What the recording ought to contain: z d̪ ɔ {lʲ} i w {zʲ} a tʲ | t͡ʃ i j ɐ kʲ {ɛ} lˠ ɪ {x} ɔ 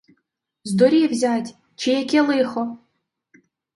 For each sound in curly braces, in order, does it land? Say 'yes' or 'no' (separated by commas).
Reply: no, yes, yes, yes